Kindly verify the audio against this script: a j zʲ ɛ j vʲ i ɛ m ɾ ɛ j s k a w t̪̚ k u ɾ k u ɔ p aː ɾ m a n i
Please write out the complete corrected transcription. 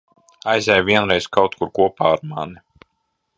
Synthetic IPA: a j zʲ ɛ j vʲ i ɛ n ɾ ɛ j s k a w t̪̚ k u ɾ k u ɔ p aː ɾ m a n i